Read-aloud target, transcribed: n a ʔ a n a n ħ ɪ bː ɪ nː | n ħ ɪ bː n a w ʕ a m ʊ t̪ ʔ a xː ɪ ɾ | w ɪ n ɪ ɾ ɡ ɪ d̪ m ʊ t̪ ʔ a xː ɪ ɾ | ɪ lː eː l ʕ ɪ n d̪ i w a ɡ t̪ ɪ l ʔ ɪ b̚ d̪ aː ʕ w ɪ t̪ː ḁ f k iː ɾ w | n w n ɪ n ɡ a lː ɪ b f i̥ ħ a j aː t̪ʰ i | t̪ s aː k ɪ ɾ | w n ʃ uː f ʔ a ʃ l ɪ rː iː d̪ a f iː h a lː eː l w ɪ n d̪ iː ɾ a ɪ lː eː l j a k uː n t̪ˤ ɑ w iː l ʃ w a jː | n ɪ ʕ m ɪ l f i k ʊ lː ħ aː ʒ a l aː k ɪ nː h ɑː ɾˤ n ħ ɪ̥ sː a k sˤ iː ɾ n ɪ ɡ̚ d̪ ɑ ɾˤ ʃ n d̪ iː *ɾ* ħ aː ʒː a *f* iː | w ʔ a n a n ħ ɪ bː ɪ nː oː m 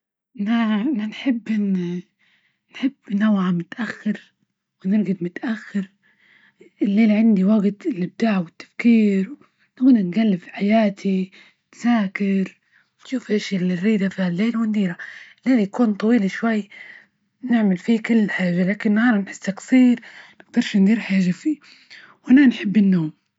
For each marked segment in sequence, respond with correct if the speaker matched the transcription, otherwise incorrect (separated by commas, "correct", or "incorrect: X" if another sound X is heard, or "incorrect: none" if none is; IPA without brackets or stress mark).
correct, correct